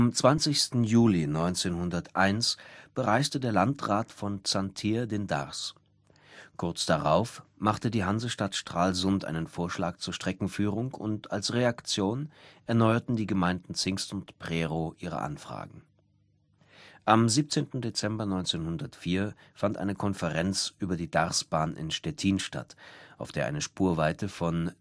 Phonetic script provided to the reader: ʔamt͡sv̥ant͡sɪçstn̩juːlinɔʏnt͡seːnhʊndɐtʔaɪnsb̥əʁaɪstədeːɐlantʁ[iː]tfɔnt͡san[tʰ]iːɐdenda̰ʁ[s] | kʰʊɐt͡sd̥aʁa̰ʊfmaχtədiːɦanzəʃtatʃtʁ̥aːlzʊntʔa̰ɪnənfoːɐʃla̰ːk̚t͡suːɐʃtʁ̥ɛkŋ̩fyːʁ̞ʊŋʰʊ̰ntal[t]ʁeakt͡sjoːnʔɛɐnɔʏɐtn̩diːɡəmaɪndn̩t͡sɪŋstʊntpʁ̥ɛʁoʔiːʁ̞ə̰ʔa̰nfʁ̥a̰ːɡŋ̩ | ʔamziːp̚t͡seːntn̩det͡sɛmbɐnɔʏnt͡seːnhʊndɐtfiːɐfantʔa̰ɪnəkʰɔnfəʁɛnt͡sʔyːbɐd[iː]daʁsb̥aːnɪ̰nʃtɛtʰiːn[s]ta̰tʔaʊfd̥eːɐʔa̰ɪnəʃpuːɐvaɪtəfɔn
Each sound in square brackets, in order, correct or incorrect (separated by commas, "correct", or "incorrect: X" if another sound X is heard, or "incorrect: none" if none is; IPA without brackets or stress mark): incorrect: aː, correct, correct, incorrect: s, correct, incorrect: ʃ